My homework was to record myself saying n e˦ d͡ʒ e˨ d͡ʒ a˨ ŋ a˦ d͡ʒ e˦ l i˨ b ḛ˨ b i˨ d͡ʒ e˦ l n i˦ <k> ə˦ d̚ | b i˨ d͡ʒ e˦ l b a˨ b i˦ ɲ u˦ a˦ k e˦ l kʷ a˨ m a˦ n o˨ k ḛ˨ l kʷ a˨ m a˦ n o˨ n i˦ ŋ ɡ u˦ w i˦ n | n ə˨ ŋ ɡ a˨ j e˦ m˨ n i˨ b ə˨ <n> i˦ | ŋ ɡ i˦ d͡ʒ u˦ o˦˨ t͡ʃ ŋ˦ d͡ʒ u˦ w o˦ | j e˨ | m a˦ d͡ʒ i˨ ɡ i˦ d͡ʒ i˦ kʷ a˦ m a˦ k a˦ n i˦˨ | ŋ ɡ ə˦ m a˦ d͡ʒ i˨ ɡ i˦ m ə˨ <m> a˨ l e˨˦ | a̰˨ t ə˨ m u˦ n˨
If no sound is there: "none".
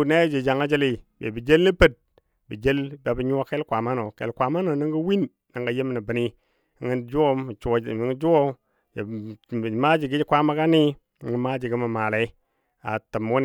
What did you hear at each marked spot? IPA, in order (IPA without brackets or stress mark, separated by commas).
p, n, m